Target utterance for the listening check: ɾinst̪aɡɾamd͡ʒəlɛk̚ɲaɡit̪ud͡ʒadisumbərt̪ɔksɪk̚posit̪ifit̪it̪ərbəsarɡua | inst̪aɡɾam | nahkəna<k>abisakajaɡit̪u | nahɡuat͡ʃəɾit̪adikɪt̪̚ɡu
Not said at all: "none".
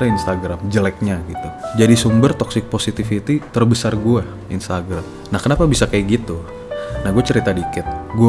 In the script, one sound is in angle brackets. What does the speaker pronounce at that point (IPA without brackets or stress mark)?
p